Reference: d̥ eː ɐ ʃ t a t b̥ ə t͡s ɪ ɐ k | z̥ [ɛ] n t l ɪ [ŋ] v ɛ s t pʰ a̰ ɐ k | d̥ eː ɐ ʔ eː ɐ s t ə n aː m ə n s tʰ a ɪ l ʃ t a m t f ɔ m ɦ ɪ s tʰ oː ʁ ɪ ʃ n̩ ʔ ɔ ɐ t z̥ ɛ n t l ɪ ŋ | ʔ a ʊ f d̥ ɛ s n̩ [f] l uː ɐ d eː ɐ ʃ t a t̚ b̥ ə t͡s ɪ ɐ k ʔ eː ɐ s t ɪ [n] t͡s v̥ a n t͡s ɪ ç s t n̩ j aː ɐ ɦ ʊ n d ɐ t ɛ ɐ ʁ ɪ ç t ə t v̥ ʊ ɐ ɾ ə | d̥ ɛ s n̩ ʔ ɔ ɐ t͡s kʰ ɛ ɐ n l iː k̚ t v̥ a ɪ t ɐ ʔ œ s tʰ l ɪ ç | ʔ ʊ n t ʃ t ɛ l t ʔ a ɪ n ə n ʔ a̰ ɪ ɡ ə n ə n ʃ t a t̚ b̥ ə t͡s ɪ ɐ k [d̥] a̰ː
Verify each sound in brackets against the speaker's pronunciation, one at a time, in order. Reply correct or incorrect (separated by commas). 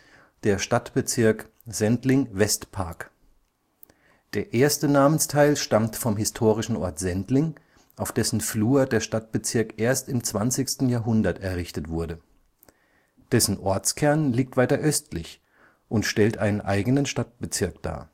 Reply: correct, correct, correct, incorrect, correct